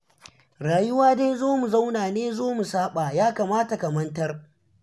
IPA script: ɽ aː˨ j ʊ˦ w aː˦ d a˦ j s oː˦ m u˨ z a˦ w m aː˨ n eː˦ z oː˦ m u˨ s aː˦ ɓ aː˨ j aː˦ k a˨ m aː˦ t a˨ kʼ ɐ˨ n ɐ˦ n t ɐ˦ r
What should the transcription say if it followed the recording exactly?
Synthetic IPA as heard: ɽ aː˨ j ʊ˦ w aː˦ d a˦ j z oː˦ m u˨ z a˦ w n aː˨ n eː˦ z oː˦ m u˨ s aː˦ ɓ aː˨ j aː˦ k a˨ m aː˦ t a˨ k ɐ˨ m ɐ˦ n t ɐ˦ r